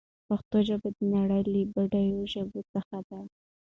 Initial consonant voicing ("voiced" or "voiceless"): voiceless